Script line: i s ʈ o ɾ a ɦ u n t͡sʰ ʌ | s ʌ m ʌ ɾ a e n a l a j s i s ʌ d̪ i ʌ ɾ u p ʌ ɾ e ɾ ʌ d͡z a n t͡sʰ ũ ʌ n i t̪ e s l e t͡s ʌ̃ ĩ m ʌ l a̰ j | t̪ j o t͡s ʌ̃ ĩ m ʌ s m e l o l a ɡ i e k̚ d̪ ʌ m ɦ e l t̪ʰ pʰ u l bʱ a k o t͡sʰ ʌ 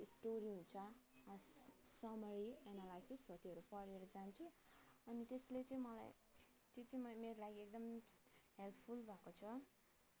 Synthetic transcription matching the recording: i s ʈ o ɾ i ɦ u n t͡sʰ ʌ | s ʌ m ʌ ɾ i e n a l a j s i s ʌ t̪ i ʌ ɾ u p ʌ ɾ e ɾ ʌ d͡z a n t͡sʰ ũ ʌ n i t̪ e s l e t͡s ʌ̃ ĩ m ʌ l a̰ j | t̪ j o t͡s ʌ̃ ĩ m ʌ m e ɾ o l a ɡ i e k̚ d̪ ʌ m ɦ e l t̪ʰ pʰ u l bʱ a k o t͡sʰ ʌ